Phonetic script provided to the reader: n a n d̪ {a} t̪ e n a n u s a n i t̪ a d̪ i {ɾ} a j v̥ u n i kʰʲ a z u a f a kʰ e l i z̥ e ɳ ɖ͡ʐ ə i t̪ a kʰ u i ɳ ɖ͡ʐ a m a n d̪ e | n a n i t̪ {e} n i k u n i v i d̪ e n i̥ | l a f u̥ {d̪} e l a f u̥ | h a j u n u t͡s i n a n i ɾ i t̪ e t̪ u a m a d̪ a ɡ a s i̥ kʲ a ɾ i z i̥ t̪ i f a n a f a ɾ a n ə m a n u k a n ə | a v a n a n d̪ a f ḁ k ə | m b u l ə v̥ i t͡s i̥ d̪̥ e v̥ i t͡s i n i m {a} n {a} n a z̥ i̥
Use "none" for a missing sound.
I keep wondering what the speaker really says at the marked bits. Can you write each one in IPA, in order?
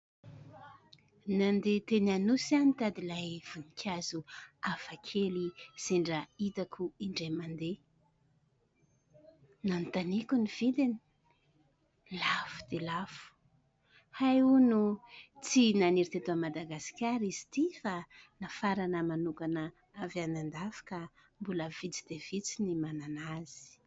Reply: e, l, a, d̪, a, a

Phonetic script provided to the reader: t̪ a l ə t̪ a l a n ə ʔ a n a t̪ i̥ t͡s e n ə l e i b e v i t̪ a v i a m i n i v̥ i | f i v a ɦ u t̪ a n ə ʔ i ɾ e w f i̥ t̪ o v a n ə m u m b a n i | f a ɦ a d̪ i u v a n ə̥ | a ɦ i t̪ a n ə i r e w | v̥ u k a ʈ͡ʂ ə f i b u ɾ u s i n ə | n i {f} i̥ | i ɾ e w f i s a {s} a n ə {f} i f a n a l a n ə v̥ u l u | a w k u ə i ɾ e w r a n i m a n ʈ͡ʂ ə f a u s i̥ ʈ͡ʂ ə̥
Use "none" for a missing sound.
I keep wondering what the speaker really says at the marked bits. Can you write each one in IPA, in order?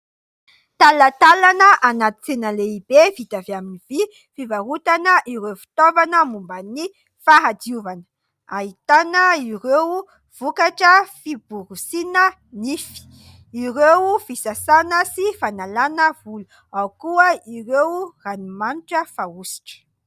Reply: f, s, s

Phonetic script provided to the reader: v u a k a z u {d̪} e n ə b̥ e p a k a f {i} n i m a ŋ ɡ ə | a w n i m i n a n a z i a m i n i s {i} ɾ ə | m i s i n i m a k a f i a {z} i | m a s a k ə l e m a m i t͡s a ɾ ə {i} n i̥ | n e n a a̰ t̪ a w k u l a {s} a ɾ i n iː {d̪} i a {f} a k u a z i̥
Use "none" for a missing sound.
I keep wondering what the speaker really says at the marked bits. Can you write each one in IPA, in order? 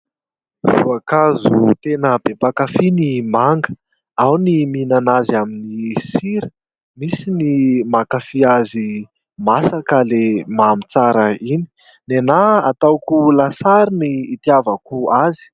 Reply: t̪, i, i, z, i, s, t̪, v

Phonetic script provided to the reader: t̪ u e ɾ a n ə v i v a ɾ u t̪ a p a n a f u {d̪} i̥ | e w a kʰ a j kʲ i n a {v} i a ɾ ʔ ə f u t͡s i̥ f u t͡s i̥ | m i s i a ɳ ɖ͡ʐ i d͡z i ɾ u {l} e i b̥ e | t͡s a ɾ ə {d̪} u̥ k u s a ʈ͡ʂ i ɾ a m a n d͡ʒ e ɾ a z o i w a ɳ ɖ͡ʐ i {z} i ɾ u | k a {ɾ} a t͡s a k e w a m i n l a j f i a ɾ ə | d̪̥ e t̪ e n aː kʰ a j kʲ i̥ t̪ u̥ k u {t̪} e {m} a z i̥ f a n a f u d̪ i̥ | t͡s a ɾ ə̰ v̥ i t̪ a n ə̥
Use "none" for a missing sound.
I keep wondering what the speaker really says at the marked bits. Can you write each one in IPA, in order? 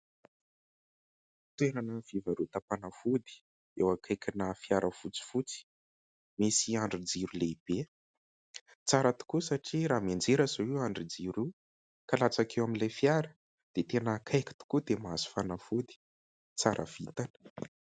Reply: d̪, f, l, t̪, d͡z, l, d̪, m

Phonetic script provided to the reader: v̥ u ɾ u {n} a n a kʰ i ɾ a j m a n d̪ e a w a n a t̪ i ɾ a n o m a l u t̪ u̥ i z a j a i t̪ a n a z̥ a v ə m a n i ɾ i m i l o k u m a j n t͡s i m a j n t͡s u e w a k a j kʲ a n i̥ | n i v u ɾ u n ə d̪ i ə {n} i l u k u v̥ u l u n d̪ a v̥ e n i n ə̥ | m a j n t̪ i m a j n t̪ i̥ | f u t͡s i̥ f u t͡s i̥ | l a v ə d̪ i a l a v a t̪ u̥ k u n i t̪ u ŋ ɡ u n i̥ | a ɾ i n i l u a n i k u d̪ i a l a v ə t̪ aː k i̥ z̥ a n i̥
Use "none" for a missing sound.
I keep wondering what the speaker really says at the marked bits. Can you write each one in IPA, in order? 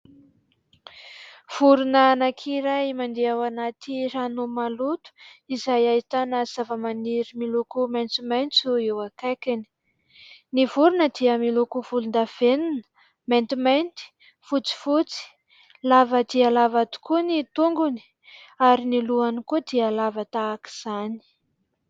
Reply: n, m

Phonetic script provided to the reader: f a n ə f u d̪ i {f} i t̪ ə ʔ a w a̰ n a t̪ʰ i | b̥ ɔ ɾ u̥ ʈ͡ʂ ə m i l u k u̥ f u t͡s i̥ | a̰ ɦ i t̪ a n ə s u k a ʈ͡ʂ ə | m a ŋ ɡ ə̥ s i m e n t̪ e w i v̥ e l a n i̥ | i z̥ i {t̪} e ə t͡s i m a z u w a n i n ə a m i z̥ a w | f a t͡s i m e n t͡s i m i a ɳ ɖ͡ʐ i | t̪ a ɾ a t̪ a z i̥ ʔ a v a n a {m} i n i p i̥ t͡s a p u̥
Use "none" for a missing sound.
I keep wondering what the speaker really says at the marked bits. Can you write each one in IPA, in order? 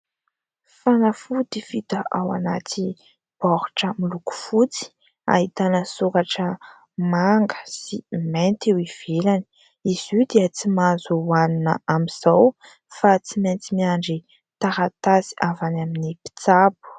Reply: f, d̪, m

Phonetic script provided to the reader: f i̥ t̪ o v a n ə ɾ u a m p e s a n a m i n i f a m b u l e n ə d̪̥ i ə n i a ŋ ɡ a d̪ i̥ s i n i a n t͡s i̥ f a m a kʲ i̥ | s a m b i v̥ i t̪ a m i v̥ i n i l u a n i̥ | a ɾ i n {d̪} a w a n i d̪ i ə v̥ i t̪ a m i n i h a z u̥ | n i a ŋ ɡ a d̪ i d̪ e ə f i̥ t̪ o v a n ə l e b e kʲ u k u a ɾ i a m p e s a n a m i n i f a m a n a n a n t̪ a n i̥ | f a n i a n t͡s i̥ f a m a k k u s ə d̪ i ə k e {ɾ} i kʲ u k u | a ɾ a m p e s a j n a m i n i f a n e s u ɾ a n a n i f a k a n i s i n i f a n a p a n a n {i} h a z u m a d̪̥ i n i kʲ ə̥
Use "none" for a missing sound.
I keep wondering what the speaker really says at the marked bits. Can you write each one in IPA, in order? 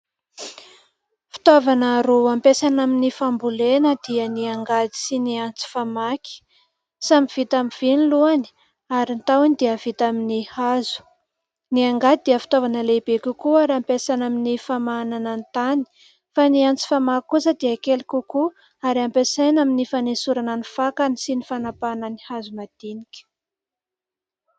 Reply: t̪, l, i

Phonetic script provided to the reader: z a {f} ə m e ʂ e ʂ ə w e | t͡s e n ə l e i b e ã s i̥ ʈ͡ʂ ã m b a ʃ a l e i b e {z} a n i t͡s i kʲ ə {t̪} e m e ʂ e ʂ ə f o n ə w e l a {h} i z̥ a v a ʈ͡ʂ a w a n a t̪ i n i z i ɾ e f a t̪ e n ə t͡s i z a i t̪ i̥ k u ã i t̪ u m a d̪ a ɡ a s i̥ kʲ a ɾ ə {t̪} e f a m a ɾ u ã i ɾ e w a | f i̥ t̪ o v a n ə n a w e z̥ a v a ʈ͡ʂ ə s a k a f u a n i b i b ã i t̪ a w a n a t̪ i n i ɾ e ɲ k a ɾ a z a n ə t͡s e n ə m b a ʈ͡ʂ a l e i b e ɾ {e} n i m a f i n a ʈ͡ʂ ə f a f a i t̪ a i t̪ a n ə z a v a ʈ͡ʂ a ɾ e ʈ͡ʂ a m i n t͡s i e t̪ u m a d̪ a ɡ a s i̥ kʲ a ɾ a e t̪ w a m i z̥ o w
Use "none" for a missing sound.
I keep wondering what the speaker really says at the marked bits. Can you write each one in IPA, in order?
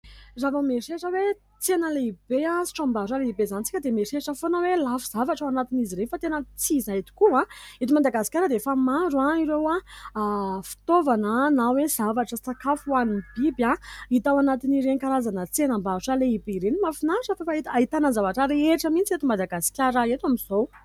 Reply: v, z, d̪, f, d̪, e

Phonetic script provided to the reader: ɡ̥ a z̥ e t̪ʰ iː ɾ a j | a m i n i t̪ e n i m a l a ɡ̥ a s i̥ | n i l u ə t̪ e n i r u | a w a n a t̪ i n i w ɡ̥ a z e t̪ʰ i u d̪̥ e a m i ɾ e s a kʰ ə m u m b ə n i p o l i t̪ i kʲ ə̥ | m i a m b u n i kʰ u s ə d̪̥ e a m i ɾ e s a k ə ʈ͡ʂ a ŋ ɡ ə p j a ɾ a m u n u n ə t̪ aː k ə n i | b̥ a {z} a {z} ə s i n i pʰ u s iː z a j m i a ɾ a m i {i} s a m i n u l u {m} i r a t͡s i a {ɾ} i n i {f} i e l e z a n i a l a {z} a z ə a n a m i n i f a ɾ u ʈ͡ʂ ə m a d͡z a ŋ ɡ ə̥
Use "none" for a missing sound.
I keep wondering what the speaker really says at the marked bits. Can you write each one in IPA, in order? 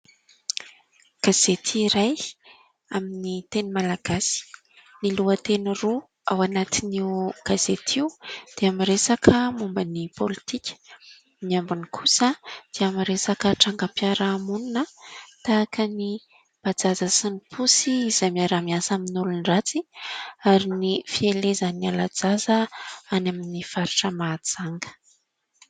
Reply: d͡z, z, a, n, ɾ, f, d͡z

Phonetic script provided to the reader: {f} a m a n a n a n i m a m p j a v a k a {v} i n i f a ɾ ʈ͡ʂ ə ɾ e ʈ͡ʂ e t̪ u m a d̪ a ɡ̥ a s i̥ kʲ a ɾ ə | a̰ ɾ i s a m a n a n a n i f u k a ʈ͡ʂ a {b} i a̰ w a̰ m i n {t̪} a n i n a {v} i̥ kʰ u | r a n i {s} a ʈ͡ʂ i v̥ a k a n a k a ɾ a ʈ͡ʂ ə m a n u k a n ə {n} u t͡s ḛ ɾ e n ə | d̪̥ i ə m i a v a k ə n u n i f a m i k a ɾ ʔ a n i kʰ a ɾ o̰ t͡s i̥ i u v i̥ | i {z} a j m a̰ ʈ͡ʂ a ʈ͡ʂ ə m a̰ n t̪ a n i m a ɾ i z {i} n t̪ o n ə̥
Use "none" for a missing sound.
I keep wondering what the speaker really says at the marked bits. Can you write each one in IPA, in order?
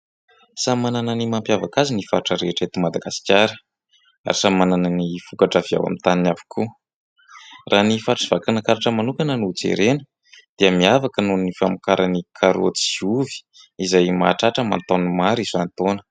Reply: s, z, v, t̪, v, f, n, z, a

